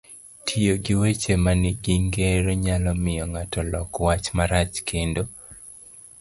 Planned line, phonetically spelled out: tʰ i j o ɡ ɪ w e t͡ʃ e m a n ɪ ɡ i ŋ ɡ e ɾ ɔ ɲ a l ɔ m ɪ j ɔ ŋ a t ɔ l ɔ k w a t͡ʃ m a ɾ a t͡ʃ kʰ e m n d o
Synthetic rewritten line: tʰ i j o ɡ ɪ w e t͡ʃ e m a n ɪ ɡ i ŋ ɡ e ɾ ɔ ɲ a l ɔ m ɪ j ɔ ŋ a t ɔ l ɔ k w a t͡ʃ m a ɾ a t͡ʃ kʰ e n d o